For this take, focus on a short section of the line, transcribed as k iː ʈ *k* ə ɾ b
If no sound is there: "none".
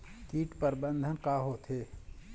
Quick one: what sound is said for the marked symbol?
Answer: p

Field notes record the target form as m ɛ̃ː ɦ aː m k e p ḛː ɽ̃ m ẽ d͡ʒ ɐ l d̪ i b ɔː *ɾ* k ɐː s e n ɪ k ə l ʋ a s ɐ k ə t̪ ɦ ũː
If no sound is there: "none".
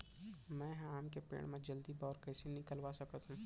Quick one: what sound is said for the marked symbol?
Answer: ɾ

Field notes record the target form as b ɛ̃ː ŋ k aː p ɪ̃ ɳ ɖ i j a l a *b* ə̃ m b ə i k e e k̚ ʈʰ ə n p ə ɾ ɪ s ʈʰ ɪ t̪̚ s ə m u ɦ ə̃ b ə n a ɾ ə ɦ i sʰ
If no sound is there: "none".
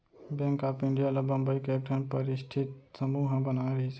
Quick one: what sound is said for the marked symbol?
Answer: b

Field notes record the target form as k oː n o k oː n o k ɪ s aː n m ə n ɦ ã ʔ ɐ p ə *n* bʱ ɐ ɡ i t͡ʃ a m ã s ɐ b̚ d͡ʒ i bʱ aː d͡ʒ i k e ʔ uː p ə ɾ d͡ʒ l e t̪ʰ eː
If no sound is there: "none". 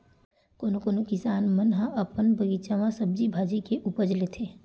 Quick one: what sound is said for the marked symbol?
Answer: n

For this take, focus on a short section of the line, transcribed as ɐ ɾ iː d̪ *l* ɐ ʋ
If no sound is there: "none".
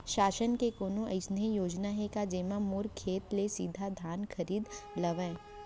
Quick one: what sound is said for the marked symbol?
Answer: l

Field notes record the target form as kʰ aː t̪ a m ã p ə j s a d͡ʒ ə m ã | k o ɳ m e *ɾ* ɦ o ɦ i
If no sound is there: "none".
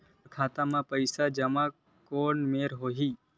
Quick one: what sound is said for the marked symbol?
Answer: ɾ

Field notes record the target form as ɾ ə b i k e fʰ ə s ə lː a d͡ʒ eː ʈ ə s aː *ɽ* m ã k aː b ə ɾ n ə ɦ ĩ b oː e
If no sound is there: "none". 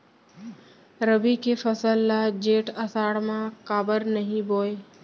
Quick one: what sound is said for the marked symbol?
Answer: ɽ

